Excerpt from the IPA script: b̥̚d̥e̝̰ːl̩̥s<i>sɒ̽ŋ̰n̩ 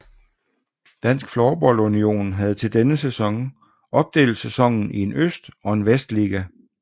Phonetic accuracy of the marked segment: incorrect: e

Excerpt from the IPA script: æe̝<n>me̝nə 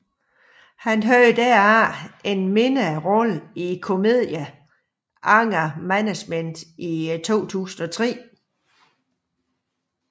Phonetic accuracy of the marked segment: correct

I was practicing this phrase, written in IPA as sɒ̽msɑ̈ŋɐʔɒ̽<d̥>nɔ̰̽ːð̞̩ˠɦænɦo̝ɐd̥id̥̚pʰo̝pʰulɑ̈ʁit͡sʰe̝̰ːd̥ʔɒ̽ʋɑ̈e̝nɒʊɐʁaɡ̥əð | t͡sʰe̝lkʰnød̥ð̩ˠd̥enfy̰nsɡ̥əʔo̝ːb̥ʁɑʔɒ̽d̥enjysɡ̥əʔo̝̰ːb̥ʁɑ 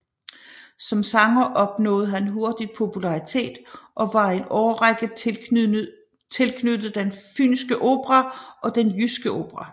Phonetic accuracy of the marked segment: incorrect: b̥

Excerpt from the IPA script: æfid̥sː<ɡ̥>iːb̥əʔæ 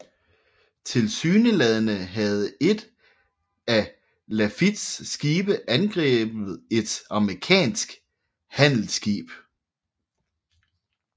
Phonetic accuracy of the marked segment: correct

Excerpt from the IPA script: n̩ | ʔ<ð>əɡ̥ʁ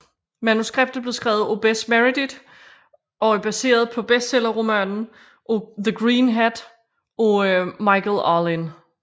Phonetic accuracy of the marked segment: correct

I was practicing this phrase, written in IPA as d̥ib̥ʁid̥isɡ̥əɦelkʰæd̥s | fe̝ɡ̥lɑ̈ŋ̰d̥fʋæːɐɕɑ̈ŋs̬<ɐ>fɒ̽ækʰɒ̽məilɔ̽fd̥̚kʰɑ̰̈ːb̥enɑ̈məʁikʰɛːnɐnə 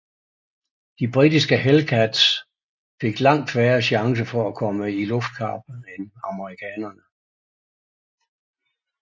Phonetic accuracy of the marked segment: incorrect: ə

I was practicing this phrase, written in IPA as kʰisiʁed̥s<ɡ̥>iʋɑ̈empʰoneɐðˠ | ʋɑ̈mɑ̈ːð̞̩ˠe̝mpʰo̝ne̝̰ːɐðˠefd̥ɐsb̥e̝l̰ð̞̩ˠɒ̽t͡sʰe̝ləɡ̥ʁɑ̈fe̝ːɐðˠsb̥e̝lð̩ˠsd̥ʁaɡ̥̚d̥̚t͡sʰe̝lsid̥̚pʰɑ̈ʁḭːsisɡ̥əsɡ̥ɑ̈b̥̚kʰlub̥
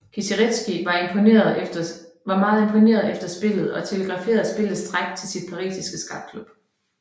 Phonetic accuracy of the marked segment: correct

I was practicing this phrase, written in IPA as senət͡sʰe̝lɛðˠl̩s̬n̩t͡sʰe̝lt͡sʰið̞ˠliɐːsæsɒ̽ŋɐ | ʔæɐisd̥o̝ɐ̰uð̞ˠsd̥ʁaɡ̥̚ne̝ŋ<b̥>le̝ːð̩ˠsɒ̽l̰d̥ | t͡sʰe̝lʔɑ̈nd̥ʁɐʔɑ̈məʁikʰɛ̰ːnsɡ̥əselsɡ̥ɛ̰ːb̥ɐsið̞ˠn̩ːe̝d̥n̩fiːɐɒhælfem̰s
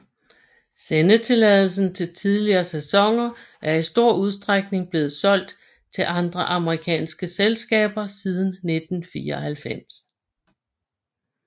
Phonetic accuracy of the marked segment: correct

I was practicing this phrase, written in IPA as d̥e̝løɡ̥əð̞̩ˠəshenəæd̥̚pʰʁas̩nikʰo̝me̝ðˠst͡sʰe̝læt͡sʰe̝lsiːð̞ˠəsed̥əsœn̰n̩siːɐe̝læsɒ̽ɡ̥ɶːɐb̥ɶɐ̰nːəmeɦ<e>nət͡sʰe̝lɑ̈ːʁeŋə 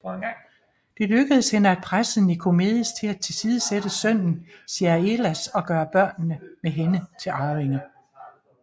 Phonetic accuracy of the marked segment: correct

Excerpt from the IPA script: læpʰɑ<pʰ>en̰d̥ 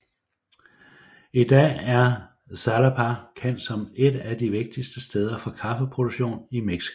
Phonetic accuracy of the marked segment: incorrect: kʰ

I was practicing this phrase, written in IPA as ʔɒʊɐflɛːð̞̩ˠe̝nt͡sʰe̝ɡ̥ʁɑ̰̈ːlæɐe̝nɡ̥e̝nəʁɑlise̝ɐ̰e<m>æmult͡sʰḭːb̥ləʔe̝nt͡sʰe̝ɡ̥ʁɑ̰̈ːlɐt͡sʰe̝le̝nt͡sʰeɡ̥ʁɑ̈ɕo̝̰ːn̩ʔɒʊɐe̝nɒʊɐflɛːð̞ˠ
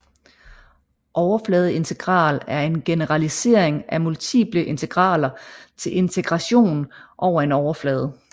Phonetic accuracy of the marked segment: incorrect: ŋ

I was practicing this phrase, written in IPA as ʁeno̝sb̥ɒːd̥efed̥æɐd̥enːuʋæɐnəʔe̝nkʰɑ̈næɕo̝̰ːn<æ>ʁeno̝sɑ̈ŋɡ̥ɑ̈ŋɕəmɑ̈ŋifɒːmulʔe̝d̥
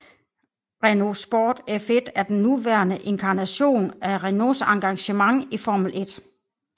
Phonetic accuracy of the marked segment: correct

